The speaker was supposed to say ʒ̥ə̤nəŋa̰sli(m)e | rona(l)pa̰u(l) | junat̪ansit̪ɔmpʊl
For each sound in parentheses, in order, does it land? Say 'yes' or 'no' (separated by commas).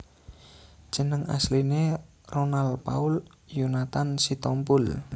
no, yes, yes